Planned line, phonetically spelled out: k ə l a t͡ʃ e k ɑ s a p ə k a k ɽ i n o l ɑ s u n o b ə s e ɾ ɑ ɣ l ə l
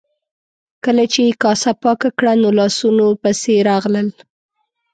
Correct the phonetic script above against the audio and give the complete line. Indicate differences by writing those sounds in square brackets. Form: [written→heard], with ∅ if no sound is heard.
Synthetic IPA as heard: k ə l a t͡ʃ e k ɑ s a p [ə→ɑ] k a k ɽ [i→a] n o l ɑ s u n o [b→p] ə s e ɾ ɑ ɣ l ə l